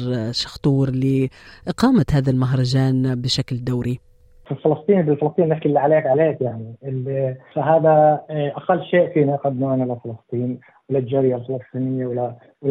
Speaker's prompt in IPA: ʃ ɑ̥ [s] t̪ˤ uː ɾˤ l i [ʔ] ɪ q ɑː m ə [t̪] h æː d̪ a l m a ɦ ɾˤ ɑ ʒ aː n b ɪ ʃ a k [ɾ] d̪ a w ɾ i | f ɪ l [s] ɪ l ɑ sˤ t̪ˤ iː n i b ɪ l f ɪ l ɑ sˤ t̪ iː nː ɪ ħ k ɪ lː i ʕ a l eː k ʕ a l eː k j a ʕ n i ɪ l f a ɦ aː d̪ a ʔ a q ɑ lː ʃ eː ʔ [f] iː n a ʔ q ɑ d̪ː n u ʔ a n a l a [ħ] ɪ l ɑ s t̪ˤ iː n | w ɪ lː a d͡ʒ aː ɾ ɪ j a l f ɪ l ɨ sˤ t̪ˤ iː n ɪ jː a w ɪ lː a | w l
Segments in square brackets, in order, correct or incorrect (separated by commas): incorrect, correct, correct, incorrect, incorrect, correct, incorrect